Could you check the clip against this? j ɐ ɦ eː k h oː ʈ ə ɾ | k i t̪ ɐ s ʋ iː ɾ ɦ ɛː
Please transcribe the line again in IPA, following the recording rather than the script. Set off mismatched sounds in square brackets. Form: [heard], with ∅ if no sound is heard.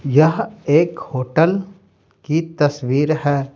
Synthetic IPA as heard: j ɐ ɦ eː k h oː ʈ ə [l] | k i t̪ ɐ s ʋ iː ɾ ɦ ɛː